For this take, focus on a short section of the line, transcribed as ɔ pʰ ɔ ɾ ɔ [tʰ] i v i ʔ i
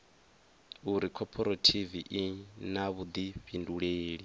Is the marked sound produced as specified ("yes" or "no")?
yes